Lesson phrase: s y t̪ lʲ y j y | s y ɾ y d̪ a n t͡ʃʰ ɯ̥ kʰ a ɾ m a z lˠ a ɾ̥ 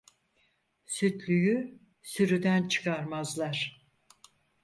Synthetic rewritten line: s y t̪ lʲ y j y | s y ɾ y d̪ æ n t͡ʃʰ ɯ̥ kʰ a ɾ m a z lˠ a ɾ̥